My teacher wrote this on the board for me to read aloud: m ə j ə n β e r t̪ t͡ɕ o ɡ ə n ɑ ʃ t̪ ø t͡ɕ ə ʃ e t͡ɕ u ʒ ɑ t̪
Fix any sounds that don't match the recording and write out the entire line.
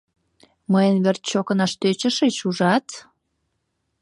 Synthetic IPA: m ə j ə n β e r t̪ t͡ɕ o k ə n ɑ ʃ t̪ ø t͡ɕ ə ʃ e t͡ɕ u ʒ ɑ t̪